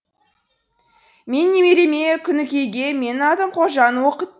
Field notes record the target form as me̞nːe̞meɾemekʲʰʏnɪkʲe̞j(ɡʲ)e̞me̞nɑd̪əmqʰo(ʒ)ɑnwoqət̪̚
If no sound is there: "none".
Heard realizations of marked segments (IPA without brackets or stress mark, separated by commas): ɡʲ, ʒ